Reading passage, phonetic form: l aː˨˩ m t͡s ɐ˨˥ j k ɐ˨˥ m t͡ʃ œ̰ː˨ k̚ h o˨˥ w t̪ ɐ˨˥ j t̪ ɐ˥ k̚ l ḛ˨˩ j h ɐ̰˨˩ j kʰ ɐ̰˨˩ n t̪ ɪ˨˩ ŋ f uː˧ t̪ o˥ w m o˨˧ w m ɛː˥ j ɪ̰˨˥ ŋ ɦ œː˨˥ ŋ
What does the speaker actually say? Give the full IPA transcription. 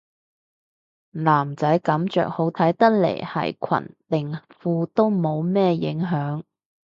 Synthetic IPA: l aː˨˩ m t͡s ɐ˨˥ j k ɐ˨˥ m t͡ʃ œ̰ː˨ k̚ h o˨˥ w t̪ʰ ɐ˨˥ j t̪ ɐ˥ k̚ l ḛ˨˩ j h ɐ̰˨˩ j kʰ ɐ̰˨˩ n t̪ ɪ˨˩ ŋ f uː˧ t̪ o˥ w m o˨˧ w m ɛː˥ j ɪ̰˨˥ ŋ ɦ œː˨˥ ŋ